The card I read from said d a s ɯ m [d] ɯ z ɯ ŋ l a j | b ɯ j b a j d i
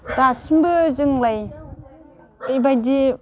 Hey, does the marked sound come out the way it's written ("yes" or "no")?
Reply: no